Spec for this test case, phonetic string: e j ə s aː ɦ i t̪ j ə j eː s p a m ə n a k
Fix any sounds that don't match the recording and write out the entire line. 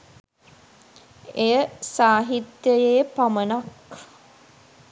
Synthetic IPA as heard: e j ə s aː ɦ i t̪ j ə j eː p a m ə n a k